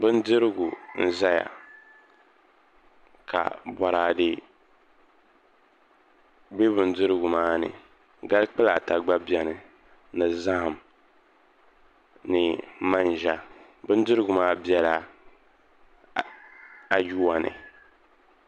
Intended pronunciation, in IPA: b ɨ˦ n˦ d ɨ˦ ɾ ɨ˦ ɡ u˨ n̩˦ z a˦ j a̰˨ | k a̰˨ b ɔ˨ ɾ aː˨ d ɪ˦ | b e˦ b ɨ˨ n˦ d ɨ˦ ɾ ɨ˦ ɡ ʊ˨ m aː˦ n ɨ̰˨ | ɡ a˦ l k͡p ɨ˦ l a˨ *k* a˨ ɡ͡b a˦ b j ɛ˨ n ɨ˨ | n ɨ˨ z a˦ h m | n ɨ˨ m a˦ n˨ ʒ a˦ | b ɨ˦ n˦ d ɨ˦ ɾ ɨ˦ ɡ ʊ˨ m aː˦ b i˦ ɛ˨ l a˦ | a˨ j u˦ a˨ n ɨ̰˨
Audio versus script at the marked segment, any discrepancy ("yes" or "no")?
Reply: yes